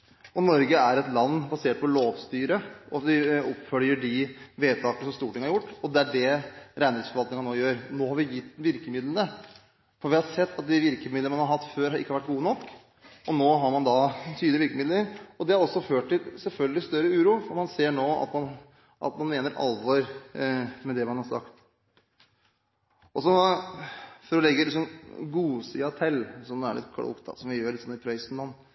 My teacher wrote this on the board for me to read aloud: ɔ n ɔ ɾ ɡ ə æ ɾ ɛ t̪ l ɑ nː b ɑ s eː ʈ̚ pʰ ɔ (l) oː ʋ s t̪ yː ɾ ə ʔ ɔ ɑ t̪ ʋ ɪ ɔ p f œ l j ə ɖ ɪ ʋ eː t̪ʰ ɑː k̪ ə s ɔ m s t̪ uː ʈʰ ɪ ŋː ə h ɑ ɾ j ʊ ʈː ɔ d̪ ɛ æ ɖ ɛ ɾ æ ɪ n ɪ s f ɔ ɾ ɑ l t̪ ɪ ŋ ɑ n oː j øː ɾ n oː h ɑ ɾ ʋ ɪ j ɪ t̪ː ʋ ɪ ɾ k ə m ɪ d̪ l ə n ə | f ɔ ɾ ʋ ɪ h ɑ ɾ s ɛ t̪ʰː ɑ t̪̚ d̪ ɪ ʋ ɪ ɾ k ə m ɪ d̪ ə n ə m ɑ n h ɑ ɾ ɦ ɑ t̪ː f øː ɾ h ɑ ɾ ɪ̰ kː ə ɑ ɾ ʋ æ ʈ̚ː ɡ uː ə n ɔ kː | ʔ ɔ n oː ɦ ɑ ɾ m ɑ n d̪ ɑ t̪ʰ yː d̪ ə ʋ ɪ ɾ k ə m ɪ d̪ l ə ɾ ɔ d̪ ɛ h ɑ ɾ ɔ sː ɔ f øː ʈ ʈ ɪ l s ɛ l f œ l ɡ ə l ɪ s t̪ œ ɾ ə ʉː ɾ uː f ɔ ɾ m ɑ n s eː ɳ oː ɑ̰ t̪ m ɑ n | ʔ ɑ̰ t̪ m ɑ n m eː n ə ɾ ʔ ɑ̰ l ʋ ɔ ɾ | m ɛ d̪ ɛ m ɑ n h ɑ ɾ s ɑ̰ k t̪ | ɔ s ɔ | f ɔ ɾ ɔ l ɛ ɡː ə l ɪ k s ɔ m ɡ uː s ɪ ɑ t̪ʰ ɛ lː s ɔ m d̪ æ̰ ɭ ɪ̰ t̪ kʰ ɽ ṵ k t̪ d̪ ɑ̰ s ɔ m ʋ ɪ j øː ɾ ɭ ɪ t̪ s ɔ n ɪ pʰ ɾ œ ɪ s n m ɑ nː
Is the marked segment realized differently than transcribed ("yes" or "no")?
no